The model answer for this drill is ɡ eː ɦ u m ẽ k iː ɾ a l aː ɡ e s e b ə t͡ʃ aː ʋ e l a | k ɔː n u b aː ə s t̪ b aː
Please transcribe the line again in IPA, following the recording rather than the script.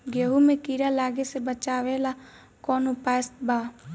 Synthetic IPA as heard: ɡ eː ɦ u m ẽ k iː ɾ a l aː ɡ e s e b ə t͡ʃ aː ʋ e l a | k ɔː n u p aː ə s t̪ b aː